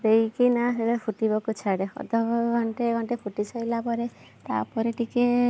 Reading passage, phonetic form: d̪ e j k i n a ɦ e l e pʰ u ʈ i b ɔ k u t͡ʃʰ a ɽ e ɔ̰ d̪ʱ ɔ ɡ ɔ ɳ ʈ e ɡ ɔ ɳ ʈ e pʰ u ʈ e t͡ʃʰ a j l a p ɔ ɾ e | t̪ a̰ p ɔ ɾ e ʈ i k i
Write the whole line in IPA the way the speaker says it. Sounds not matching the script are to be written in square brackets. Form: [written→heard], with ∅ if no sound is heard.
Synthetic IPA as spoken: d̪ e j k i n a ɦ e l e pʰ u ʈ i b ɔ k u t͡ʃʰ a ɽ e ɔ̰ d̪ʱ ɔ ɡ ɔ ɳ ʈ e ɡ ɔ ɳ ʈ e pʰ u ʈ [e→i] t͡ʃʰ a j l a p ɔ ɾ e | t̪ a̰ p ɔ ɾ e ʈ i k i